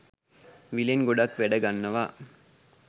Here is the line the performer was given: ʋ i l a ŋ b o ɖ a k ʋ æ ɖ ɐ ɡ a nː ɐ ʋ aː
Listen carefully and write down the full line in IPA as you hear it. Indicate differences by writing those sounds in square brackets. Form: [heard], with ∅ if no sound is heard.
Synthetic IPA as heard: ʋ i l [e] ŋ [ɡ] o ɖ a k ʋ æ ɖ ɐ ɡ a nː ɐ ʋ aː